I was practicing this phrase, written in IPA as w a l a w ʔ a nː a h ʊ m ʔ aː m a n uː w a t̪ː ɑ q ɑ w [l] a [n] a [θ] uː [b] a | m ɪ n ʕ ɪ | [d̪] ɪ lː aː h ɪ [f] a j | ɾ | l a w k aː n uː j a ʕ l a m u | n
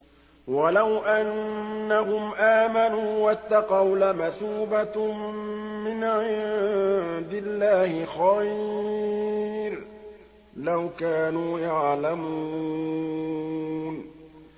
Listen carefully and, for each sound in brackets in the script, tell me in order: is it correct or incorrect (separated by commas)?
correct, incorrect, correct, correct, correct, incorrect